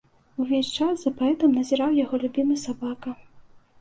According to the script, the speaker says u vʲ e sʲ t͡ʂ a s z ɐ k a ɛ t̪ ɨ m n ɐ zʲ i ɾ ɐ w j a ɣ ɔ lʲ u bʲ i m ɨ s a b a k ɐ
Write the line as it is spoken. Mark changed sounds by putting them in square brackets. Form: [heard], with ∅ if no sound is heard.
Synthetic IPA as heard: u vʲ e sʲ t͡ʂ a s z ɐ [p] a ɛ t̪ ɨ m n ɐ zʲ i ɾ [a] w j a ɣ ɔ lʲ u bʲ i m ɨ s a b a k ɐ